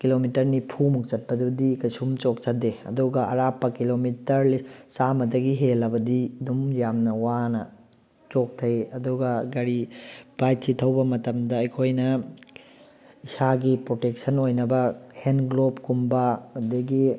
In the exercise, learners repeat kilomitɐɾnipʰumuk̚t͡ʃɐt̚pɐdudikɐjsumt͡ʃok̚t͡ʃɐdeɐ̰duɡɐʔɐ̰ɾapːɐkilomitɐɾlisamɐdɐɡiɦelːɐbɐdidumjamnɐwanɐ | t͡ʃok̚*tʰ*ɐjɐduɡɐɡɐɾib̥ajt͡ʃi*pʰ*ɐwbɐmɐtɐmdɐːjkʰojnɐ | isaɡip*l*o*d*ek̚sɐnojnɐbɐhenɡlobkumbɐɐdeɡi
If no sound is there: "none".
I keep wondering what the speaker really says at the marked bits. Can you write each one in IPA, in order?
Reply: tʰ, tʰ, ɾ, t

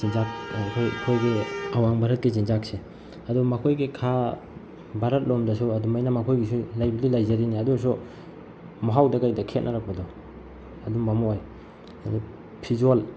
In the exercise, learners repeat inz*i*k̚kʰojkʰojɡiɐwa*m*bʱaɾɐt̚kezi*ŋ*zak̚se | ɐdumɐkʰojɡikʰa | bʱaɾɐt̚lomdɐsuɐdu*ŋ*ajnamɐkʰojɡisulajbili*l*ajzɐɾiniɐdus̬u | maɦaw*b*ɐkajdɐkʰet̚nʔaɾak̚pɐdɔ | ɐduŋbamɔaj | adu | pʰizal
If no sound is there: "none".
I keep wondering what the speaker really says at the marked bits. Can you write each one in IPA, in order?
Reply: a, ŋ, n, m, l, d

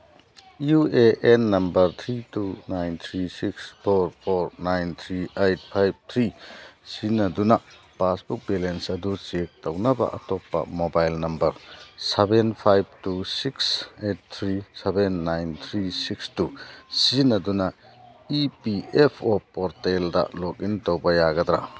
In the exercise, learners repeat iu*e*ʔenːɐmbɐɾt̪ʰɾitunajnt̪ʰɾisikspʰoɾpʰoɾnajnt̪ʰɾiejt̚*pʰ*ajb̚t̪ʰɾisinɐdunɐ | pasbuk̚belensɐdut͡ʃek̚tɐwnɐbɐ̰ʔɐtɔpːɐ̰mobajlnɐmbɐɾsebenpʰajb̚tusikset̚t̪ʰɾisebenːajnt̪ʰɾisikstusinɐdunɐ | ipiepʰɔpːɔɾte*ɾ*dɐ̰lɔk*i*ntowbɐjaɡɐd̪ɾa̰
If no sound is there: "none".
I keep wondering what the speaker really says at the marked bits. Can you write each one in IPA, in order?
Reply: e, pʰ, l, i

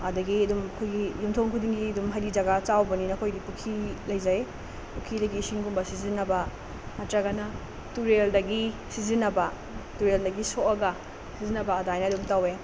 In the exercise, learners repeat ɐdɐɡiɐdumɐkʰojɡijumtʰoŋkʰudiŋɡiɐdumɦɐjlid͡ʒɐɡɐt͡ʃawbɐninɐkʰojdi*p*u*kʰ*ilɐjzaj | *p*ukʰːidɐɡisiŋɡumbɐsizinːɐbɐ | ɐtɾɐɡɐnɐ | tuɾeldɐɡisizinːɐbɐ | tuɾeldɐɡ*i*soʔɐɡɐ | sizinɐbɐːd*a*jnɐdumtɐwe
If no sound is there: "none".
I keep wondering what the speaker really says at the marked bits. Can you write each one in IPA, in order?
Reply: p, kʰ, p, i, a

